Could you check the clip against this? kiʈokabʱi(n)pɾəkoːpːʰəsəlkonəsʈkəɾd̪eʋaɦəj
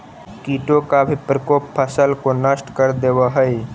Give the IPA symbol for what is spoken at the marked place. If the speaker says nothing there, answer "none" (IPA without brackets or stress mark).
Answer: none